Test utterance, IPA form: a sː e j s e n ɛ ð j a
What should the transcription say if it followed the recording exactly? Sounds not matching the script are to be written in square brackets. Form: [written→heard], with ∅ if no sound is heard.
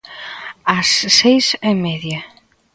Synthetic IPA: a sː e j s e [n→m] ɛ ð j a